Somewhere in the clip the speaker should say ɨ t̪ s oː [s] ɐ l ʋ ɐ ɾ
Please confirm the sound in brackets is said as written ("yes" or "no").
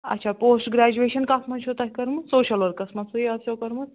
no